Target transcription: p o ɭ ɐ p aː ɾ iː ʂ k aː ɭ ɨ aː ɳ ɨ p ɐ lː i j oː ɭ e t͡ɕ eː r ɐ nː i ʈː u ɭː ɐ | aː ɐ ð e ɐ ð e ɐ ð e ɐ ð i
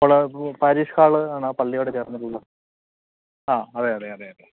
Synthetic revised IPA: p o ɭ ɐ p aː ɾ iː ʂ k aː ɭ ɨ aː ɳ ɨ p ɐ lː i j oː ɽ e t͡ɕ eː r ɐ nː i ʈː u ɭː ɐ | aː ɐ ð e ɐ ð e ɐ ð e ɐ ð e